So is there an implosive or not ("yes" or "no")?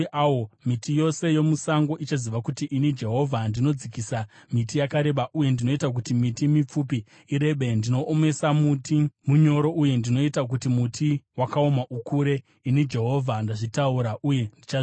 yes